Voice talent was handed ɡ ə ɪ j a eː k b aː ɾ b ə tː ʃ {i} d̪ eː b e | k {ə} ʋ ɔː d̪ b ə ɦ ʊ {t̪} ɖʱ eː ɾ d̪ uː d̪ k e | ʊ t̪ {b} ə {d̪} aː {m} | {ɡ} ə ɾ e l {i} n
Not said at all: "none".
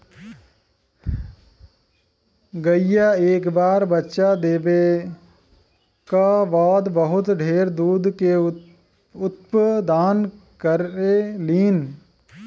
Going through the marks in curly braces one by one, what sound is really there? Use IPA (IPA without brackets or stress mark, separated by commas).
a, a, t̪, p, d̪, n, k, iː